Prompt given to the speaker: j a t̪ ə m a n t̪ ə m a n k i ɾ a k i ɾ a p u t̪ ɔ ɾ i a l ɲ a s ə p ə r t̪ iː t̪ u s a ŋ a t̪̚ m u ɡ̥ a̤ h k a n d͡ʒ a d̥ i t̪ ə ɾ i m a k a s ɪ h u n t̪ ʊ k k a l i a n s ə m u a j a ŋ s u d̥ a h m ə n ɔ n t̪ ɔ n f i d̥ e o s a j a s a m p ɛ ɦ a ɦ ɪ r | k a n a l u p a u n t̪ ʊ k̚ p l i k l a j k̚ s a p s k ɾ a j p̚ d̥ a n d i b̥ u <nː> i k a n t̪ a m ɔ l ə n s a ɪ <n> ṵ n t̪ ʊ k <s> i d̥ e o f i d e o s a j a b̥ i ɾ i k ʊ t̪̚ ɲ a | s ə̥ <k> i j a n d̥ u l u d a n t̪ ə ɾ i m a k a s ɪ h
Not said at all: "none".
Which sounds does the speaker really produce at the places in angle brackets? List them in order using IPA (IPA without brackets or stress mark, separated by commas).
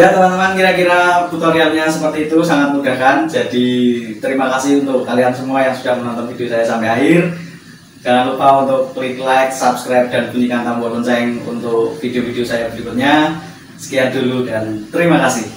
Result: n, ŋ, f, k